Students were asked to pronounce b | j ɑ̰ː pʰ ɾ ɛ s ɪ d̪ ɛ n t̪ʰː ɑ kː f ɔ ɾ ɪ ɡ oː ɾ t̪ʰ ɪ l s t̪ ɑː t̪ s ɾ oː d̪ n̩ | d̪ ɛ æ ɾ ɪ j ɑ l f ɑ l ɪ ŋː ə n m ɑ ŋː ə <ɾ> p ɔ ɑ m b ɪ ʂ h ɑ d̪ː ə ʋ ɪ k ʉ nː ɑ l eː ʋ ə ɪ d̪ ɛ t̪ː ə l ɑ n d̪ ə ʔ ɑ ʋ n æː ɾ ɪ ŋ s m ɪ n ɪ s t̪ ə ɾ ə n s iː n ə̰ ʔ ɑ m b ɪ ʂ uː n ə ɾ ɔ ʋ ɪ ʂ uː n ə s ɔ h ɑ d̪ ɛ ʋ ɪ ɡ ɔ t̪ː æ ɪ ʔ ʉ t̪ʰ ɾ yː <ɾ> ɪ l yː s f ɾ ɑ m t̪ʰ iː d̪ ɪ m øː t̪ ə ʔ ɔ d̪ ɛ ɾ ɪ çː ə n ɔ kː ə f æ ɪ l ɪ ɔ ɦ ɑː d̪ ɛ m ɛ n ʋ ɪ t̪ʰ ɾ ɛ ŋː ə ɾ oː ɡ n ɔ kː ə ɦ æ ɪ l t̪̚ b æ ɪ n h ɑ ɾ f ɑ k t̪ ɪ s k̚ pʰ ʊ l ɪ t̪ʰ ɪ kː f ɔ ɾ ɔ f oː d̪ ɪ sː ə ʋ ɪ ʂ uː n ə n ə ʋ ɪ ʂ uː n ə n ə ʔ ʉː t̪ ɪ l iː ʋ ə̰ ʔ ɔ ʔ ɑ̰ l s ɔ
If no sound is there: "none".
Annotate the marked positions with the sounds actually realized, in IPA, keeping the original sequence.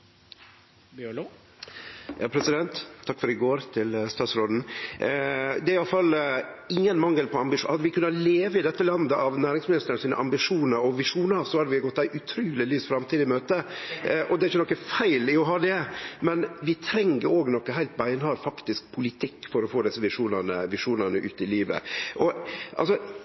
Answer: l, l

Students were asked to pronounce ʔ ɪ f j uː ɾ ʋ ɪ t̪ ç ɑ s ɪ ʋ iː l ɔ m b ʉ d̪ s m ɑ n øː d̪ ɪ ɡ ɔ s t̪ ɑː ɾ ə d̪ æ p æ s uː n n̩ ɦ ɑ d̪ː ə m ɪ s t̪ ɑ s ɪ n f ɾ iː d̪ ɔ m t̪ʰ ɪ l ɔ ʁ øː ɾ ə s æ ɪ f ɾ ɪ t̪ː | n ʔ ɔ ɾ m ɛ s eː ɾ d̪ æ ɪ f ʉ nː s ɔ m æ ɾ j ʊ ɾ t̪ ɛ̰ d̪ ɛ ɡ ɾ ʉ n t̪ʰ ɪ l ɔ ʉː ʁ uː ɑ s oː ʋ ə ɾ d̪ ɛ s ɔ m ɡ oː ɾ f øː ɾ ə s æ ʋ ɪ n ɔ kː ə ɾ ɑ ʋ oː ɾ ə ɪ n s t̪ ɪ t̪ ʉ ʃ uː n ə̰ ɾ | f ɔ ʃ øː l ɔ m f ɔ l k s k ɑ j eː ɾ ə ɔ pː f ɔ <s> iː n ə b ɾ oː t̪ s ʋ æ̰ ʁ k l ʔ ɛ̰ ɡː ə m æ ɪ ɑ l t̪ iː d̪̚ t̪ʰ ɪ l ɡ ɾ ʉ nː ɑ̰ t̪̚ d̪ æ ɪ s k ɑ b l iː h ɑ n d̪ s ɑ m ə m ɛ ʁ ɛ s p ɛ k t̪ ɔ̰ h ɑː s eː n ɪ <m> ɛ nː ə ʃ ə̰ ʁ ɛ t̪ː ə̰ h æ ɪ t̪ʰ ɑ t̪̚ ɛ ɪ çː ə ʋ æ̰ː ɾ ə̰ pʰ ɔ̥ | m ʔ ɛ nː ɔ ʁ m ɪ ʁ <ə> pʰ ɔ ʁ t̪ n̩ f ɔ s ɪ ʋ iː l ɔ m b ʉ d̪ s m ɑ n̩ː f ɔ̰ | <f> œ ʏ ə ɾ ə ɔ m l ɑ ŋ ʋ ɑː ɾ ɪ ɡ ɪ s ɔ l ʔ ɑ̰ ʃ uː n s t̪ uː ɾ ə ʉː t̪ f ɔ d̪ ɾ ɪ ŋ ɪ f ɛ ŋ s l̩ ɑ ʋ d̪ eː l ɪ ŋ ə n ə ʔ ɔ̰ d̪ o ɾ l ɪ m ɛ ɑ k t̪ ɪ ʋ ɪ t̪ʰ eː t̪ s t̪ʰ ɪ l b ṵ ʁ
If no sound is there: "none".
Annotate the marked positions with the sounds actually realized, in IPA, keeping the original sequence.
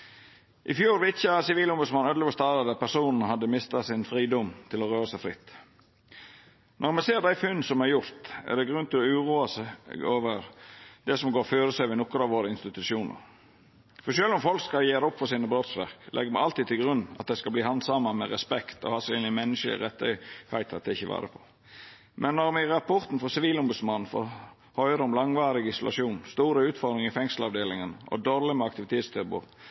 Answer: s, m, ɑ, h

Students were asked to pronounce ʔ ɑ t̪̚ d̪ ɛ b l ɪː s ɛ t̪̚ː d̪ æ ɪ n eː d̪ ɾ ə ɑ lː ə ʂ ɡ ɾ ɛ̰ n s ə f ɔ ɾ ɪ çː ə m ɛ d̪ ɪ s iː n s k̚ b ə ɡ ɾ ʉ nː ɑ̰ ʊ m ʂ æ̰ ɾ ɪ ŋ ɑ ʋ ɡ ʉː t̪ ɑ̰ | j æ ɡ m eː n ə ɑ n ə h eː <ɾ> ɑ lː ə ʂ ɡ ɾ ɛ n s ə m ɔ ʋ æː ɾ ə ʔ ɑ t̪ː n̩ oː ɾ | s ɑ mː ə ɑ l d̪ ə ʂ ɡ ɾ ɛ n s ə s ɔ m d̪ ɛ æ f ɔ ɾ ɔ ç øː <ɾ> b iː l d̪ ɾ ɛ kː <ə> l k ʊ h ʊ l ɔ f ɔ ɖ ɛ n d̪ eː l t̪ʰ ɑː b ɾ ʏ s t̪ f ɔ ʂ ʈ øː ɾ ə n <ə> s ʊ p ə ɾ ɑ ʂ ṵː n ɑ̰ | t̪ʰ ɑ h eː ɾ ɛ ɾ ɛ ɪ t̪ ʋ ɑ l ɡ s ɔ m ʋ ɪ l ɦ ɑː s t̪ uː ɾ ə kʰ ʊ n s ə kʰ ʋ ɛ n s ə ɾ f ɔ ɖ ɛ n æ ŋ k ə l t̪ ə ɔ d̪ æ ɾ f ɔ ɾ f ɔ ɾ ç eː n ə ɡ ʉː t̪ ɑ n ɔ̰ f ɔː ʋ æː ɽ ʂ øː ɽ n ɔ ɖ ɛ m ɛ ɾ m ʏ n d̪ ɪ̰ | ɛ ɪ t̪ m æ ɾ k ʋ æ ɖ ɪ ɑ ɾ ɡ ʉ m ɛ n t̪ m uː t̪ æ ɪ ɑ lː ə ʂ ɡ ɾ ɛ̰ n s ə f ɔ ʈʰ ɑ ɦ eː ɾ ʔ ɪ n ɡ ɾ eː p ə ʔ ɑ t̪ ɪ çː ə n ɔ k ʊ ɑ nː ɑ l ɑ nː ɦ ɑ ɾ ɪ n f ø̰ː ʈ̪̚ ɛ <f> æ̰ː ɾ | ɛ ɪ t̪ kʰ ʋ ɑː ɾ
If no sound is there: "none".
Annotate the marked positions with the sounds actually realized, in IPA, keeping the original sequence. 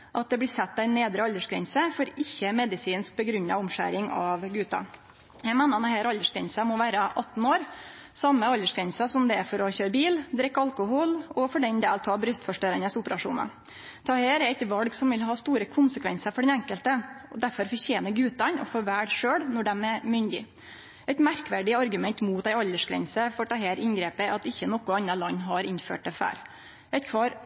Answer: ɾ, ɾ, ɑ, ə, f

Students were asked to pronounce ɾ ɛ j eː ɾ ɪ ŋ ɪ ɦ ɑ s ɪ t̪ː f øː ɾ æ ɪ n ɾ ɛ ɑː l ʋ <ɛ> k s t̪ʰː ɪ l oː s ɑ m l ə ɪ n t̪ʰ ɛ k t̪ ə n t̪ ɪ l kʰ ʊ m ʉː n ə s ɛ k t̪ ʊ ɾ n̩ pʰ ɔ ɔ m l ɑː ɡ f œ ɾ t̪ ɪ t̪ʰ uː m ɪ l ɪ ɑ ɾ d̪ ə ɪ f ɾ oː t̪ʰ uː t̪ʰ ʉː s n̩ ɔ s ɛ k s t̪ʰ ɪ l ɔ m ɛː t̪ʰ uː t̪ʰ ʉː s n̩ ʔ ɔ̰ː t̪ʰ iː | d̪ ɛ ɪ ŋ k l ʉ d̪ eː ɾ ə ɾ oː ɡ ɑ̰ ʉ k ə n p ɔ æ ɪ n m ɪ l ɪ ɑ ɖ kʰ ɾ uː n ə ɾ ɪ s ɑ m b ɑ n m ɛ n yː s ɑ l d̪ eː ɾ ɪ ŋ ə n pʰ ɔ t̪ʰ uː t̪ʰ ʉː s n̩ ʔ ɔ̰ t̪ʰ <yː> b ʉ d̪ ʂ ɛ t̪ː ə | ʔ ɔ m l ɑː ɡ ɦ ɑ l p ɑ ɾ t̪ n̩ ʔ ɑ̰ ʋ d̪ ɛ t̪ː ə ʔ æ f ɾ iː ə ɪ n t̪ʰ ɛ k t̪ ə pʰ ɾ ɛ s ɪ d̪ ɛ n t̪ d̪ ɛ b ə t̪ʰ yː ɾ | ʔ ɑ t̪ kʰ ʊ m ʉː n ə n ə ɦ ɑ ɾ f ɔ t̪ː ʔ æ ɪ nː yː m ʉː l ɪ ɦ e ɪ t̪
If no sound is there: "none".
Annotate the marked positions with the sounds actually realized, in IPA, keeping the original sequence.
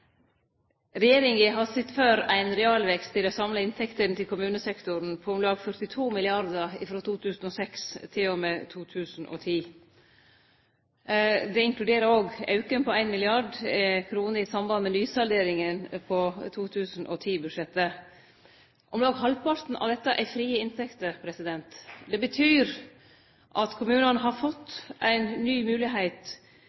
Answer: ɛ, iː

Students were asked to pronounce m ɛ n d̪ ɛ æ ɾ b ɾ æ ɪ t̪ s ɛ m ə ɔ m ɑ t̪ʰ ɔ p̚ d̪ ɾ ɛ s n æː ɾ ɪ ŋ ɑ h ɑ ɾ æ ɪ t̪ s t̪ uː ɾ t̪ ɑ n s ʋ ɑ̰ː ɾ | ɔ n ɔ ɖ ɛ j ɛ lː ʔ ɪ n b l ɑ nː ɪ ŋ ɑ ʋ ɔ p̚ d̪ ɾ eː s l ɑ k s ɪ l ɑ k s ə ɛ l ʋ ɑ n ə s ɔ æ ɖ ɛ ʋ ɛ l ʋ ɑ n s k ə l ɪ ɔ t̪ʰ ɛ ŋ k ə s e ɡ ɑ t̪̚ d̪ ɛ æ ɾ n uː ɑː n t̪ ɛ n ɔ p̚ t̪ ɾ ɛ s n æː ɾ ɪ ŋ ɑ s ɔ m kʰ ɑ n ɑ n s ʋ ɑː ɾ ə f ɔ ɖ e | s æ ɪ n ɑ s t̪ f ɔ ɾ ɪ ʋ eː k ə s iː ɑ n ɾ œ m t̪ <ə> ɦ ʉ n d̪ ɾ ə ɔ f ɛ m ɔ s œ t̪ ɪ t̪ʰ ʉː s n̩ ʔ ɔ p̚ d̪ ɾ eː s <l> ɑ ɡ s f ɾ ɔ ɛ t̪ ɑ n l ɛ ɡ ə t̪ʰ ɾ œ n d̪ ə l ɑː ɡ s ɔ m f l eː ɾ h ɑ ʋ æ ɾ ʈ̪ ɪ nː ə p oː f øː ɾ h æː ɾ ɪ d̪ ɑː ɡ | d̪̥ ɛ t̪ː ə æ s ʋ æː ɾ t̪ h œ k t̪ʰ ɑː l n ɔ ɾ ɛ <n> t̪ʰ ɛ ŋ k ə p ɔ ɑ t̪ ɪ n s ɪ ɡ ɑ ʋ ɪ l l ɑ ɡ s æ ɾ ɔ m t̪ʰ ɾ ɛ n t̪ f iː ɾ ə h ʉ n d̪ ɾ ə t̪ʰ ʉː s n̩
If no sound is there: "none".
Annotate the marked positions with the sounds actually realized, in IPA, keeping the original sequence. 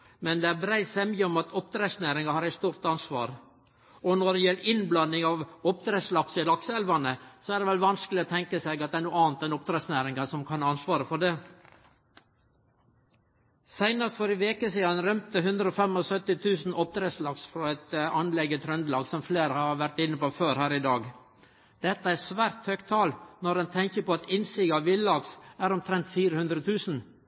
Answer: ə, l, n

